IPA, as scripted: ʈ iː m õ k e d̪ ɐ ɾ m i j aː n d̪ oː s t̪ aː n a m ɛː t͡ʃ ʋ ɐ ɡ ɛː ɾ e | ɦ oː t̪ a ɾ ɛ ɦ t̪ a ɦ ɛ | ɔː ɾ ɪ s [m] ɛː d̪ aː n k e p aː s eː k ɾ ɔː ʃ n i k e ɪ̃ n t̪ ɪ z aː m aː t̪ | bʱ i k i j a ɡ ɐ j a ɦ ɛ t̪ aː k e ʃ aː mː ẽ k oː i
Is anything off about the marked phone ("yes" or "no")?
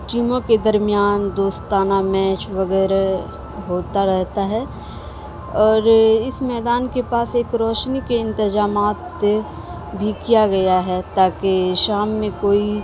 no